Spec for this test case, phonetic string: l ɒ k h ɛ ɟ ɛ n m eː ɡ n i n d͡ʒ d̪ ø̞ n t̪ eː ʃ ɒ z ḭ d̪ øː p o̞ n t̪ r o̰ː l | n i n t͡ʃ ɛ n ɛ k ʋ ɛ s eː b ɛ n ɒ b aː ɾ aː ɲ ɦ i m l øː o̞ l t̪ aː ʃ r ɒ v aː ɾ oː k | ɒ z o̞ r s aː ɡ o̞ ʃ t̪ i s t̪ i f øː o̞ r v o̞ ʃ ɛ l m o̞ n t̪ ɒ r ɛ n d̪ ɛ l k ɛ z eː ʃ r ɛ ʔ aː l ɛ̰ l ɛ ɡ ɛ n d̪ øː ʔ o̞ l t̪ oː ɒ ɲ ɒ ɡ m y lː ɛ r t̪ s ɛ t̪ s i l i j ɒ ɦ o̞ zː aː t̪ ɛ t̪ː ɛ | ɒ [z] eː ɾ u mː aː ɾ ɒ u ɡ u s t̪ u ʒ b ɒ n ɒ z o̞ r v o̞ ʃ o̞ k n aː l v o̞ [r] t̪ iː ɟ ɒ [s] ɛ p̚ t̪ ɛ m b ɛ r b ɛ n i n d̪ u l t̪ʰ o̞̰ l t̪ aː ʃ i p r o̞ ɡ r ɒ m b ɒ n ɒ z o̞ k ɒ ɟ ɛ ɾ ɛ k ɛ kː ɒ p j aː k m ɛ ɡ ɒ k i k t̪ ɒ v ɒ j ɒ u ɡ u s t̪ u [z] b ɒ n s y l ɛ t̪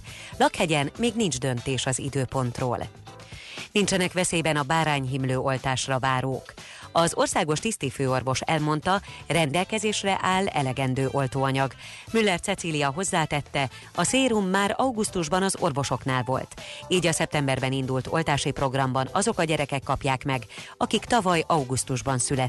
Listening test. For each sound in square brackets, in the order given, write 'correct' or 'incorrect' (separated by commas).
incorrect, incorrect, correct, incorrect